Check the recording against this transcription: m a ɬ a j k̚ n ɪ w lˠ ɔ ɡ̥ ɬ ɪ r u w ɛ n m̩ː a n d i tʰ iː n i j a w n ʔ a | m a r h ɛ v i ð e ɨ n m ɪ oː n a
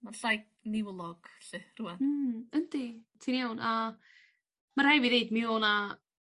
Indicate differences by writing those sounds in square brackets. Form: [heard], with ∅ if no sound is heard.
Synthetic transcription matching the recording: m a ɬ a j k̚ n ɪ w lˠ ɔ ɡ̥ ɬ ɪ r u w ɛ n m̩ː [ə] n d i tʰ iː n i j a w n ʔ a | m a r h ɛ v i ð e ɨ [d] m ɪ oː n a